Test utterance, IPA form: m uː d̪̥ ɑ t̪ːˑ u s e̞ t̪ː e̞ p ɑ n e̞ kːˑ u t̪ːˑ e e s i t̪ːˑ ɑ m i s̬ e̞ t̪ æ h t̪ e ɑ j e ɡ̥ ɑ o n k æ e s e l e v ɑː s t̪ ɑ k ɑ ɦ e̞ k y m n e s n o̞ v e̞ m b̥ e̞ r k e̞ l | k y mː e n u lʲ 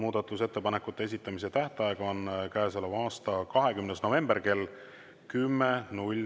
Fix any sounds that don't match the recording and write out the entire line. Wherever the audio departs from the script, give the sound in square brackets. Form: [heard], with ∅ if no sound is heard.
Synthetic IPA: m uː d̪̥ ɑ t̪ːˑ u s e̞ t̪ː e̞ p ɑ n e̞ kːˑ u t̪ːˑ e e s i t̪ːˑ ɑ m i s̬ e̞ t̪ æ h t̪ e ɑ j e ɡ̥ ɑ o n k æ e s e l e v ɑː s t̪ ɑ k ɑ ɦ e̞ k y m n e s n o̞ v e̞ m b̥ e̞ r k e̞ l | k y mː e n u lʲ